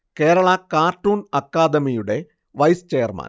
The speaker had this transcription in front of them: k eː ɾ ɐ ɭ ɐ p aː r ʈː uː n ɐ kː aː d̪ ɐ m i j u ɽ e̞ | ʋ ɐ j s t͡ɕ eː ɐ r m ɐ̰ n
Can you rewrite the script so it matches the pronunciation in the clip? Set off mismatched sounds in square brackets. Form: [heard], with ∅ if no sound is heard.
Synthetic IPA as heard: k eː ɾ ɐ ɭ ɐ [k] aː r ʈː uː n ɐ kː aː d̪ ɐ m i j u ɽ e̞ | ʋ ɐ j s t͡ɕ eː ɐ r m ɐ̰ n